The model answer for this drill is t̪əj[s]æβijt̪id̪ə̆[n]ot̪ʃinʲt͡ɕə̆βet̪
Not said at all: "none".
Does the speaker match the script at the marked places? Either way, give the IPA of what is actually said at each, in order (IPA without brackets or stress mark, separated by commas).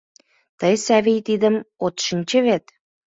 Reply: s, m